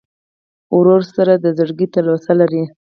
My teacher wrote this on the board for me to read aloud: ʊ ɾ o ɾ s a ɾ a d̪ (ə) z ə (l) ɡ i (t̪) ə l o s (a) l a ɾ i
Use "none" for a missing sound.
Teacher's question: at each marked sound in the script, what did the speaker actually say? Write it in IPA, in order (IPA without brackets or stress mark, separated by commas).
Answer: ə, ɽ, t̪, a